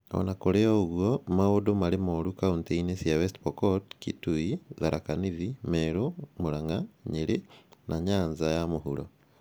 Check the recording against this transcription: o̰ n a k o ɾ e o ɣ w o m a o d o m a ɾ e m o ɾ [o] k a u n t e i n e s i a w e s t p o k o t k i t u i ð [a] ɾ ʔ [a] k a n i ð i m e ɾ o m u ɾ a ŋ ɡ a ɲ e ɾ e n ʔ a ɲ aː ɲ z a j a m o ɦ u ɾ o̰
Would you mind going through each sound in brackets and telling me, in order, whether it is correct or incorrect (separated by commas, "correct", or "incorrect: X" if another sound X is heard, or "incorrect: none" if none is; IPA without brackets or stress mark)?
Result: incorrect: u, correct, correct